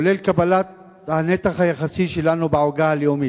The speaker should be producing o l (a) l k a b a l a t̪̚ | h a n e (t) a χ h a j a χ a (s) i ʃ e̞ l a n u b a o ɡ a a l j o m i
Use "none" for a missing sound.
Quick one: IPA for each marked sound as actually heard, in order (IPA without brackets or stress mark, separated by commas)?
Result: e, t, s